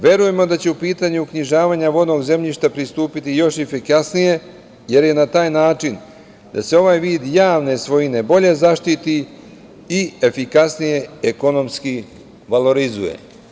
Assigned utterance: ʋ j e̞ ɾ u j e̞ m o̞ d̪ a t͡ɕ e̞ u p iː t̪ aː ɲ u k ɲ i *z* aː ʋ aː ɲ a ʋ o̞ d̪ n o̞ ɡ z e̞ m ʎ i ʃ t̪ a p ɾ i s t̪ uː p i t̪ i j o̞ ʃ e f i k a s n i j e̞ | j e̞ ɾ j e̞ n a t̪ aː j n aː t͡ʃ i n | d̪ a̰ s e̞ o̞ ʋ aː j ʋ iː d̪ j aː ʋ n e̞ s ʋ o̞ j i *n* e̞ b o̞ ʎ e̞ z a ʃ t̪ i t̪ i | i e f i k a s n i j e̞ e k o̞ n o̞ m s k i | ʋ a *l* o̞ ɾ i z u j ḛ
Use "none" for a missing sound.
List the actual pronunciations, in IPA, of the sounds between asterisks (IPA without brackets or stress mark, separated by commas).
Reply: ʒ, n, l